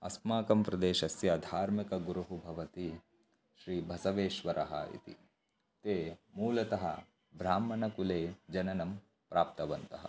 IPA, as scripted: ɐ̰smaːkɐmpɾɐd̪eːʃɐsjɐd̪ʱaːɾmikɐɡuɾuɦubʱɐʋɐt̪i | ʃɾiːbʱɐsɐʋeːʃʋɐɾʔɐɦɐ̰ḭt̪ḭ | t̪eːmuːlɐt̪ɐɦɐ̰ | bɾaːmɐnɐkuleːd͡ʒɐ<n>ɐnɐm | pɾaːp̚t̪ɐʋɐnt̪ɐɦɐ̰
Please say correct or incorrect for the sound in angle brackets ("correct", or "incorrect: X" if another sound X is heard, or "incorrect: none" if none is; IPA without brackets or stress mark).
correct